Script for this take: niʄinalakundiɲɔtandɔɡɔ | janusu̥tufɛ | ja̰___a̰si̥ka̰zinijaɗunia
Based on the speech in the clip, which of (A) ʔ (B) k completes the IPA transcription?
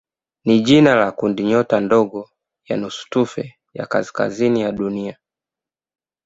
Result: B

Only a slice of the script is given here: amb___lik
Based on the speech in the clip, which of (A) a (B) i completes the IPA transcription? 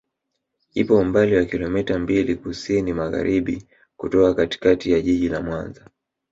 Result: B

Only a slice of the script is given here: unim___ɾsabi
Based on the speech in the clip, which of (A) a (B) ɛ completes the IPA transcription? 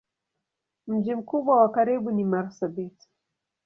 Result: A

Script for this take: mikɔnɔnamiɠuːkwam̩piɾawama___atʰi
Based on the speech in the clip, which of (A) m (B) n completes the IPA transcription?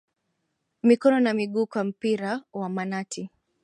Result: B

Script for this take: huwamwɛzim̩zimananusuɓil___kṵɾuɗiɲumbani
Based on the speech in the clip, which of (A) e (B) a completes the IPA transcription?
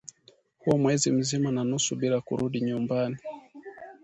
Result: B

